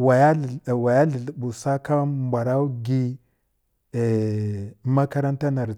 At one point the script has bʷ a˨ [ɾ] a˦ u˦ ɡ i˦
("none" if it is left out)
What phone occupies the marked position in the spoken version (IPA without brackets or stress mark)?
ɾ